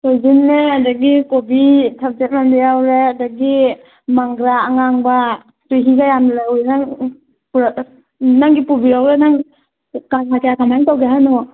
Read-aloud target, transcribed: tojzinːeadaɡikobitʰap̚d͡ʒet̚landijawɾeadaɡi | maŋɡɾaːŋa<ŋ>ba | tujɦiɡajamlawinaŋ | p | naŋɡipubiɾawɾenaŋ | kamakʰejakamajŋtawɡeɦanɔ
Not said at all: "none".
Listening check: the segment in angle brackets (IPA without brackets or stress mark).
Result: ŋ